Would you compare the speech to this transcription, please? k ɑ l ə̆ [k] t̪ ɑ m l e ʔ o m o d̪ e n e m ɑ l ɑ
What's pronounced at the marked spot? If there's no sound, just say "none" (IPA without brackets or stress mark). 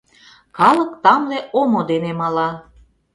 k